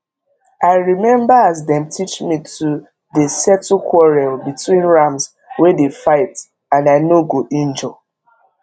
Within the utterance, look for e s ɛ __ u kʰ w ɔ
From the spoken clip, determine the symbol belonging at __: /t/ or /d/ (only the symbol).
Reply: t